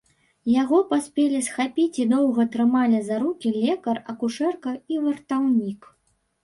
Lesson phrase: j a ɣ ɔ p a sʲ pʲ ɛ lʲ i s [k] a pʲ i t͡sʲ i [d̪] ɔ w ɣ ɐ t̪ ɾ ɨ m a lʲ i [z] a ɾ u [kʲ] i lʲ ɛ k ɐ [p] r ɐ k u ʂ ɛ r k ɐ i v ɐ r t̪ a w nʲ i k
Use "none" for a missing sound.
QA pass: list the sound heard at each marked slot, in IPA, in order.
x, d̪, z, kʲ, none

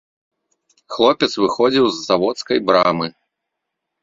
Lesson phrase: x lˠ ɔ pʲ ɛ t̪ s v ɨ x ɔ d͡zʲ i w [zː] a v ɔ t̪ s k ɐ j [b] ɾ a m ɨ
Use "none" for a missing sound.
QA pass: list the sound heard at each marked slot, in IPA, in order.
zː, b

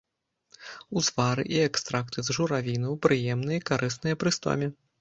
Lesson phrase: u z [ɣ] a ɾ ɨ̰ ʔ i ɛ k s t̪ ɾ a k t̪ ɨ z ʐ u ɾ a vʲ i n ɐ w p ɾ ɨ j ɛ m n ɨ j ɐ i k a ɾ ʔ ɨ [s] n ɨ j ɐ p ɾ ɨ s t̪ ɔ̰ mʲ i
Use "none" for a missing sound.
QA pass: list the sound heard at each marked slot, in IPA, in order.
v, s

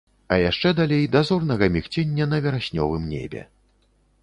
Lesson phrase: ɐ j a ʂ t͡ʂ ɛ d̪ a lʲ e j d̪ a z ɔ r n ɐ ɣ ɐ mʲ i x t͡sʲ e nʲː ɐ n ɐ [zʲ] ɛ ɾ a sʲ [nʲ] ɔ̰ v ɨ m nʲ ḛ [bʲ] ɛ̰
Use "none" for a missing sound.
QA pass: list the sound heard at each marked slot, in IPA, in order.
vʲ, nʲ, bʲ

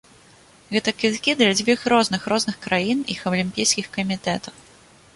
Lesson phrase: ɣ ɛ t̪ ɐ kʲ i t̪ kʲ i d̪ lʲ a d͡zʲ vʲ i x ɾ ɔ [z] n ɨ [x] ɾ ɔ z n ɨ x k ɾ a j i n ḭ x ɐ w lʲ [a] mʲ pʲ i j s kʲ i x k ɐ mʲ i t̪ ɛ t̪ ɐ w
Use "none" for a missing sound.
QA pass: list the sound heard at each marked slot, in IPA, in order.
z, x, i

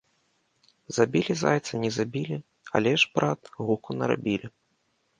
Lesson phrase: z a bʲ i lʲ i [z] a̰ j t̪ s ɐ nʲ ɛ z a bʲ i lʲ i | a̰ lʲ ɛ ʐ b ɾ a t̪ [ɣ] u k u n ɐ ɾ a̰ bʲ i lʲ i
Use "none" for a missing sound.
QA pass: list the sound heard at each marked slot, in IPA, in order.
z, ɣ

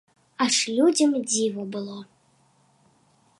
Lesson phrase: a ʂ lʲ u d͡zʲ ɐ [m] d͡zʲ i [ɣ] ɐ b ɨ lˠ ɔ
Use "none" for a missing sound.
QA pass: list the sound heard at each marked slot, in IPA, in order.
m, v

